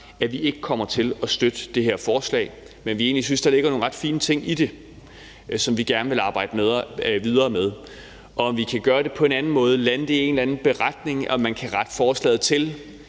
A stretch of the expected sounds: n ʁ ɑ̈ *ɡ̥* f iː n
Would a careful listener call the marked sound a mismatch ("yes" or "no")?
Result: yes